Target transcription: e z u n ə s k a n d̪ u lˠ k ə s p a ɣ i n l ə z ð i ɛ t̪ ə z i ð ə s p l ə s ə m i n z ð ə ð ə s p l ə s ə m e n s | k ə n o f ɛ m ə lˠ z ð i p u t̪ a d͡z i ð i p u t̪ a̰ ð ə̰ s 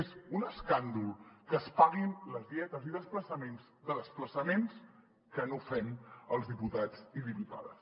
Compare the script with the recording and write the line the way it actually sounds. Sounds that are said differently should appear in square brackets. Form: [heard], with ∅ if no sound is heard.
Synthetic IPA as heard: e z u n ə s k a n d̪ u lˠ k ə s p a ɣ i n l ə z ð i ɛ t̪ ə z i ð ə s p l ə s ə m [e] n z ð ə ð ə s p l ə s ə m e n s | k ə n o f ɛ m ə lˠ z ð i p u t̪ a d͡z i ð i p u t̪ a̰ ð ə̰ s